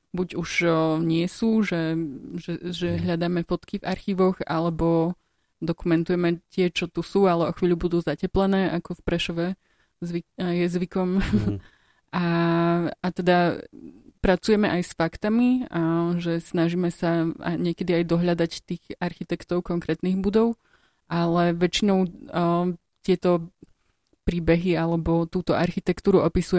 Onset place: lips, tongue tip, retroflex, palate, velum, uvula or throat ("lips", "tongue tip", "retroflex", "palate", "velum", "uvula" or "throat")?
lips